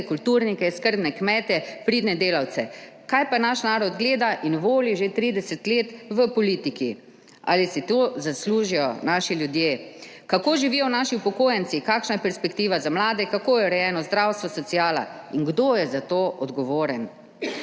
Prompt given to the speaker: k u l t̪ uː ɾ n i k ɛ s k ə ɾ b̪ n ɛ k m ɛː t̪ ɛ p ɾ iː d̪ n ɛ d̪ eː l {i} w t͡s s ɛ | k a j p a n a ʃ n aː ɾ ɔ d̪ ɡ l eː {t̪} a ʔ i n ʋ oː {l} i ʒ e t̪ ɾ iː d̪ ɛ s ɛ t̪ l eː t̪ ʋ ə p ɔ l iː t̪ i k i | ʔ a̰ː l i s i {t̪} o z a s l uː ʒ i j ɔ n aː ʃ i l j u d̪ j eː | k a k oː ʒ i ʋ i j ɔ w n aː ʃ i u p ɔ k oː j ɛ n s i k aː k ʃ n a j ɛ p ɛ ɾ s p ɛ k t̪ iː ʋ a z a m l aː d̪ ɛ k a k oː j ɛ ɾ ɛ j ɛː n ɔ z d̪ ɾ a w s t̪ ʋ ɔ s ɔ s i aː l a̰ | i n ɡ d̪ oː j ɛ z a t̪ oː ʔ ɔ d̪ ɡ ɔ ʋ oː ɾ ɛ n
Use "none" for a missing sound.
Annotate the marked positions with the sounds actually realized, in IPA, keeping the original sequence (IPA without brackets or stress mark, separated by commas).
a, d̪, l, t̪